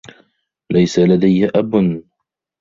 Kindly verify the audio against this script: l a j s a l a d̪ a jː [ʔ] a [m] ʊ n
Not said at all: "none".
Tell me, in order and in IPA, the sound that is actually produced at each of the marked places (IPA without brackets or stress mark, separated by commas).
ʔ, b